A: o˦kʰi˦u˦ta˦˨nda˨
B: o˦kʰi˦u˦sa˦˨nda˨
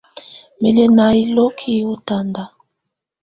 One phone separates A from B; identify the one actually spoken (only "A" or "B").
A